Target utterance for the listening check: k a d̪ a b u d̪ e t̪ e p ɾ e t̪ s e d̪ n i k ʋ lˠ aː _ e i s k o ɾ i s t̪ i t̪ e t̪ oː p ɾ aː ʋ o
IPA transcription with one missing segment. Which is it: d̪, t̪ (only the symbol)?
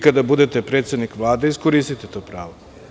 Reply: d̪